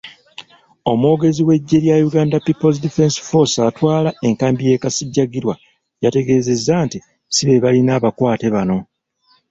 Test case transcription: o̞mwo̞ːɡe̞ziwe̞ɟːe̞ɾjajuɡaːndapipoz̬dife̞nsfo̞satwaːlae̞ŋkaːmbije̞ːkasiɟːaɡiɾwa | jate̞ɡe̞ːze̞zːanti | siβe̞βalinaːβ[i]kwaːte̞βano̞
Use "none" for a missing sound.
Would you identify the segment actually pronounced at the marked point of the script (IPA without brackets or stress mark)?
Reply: a